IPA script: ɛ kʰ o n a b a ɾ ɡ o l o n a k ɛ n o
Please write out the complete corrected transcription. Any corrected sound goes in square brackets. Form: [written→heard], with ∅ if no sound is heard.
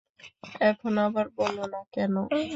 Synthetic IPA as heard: ɛ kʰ o n a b a ɾ [ɡ→b] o l o n a k ɛ n o